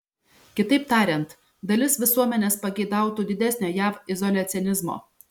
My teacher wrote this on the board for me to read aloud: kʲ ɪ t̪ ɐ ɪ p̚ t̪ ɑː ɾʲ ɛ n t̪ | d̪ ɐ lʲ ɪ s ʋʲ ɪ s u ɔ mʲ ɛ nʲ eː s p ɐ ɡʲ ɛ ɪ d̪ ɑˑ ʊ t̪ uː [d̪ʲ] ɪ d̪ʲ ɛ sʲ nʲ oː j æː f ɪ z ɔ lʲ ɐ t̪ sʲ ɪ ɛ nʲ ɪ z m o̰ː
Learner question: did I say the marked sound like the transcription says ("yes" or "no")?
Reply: yes